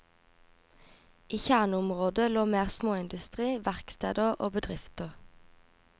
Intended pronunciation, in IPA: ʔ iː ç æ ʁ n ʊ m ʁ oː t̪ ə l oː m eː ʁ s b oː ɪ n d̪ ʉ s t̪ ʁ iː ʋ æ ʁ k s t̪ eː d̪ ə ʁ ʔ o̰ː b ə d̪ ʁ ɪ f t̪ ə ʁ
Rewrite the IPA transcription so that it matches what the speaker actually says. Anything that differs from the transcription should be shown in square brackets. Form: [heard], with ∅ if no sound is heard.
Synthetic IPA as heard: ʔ iː ç æ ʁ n ʊ m ʁ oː [d̪] ə l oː m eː ʁ s [m] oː ɪ n d̪ ʉ s t̪ ʁ iː ʋ æ ʁ k s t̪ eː d̪ ə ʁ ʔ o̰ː b ə d̪ ʁ ɪ f t̪ ə ʁ